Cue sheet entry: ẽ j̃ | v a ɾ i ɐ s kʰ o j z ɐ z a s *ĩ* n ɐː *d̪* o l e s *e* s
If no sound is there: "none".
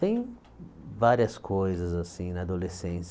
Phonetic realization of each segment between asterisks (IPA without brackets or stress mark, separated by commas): ĩ, d̪, ẽ